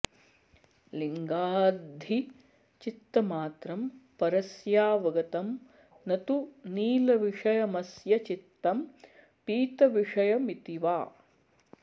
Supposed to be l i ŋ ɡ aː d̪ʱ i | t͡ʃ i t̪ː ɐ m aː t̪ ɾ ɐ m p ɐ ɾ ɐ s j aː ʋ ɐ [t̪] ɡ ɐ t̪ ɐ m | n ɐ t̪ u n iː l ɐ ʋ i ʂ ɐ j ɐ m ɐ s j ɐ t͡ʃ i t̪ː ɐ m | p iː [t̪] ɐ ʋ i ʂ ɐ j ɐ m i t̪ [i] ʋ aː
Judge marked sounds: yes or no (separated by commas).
no, yes, yes